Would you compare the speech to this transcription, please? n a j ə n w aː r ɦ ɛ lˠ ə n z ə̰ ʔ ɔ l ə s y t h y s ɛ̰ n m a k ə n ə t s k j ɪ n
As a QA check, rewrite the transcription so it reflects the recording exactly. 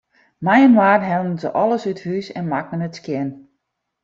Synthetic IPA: m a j ə n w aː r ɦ ɛ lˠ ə n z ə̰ ʔ ɔ l ə s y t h y s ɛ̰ n m a k ə n ə t s k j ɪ n